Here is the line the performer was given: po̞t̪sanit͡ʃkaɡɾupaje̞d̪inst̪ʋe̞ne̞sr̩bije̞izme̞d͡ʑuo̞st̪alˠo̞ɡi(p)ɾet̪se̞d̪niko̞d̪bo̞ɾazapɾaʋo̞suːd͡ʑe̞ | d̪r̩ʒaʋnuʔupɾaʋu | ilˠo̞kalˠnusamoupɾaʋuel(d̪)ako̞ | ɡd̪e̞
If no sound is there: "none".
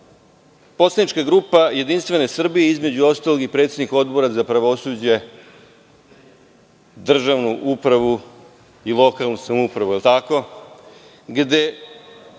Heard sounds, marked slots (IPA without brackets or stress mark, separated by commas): p, t̪